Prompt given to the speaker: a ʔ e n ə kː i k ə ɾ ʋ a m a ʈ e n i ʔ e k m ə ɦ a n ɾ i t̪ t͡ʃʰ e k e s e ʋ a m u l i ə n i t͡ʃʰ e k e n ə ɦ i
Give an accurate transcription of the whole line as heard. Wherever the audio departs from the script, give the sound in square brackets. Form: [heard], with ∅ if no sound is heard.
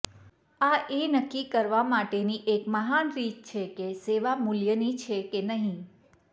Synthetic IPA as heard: a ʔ e n ə kː i k ə ɾ ʋ a m a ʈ e n i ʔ e k m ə ɦ a n ɾ i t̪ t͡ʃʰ e k e s e ʋ a m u l [j] ə n i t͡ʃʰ e k e n ə ɦ [ĩ]